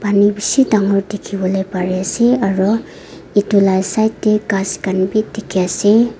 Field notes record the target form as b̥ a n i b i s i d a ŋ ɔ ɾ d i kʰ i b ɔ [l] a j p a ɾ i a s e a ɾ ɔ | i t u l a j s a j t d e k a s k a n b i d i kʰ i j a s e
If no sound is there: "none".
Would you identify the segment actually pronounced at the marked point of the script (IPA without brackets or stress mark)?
l